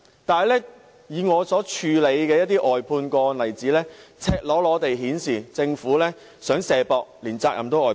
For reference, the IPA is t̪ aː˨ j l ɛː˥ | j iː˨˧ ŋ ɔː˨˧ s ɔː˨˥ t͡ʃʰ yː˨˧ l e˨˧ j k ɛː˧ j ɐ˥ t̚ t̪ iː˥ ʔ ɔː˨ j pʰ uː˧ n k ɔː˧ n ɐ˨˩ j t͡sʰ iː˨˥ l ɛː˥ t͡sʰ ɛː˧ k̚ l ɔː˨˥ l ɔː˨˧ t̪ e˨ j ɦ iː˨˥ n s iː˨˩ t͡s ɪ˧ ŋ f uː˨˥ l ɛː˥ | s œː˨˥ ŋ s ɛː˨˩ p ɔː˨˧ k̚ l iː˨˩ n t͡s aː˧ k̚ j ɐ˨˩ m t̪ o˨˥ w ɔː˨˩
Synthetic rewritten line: t̪ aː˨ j l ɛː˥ | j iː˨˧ ŋ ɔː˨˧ s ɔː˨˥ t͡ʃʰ yː˨˧ l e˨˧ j k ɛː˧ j ɐ˥ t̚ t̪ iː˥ ʔ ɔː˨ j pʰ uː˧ n k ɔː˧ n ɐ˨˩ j t͡s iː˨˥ l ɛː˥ t͡sʰ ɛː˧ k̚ l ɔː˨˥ l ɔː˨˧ t̪ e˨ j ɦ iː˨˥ n s iː˨˩ t͡s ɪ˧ ŋ f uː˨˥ l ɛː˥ | s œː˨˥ ŋ s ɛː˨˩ p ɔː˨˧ k̚ l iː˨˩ n t͡s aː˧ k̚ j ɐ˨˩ m t̪ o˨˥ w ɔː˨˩